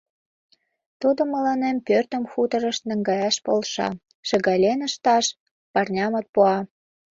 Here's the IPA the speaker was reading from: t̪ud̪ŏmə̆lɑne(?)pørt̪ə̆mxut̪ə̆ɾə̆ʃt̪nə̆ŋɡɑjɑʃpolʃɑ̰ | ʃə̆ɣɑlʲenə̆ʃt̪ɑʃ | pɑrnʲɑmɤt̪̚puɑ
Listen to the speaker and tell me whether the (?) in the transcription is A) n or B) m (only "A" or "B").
B